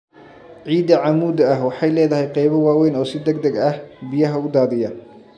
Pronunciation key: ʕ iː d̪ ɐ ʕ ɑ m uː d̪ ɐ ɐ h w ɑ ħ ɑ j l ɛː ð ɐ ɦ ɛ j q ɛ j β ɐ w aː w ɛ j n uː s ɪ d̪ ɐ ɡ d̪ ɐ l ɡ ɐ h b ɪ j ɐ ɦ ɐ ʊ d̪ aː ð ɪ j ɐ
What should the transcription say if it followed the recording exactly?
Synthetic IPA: ʕ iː d̪ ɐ ʕ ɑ m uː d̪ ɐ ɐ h w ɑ ħ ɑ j l ɛː ð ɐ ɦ ɛ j q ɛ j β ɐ w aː w ɛ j n ɔː s ɪ d̪ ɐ ɡ d̪ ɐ ɡ ɐ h b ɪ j ɐ ɦ ɐ ʊ d̪ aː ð ɪ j ɐ